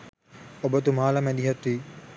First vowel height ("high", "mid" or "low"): mid